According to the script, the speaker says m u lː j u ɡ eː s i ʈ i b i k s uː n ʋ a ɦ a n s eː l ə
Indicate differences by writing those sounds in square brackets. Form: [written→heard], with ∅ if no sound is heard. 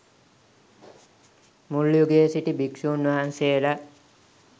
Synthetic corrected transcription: m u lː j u ɡ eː s i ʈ i b i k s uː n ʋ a ɦ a n s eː l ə